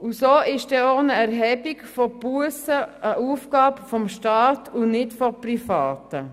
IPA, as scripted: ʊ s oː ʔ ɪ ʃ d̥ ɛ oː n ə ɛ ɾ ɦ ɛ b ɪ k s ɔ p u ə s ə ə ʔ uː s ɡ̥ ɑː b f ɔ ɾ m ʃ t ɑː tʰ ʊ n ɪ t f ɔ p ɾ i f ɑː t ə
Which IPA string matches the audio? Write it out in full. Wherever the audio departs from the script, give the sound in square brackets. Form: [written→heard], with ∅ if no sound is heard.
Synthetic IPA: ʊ s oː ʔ ɪ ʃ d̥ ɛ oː n ə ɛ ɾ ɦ ɛ b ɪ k [s→f] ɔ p u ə s ə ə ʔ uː [s→f] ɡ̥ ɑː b f ɔ [ɾ→∅] m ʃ t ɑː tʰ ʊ n ɪ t f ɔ p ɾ i f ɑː t ə